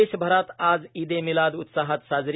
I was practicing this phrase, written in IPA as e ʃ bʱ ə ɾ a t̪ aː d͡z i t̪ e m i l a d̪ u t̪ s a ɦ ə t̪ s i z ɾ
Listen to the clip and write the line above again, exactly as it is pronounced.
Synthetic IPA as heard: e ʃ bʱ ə ɾ a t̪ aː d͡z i d̪ e m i l a d̪ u t̪ s a ɦ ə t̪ s a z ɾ